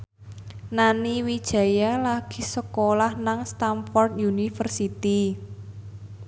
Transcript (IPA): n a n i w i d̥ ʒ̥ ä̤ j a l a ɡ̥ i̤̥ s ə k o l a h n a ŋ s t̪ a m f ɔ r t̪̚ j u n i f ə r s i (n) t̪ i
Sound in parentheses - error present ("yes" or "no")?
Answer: yes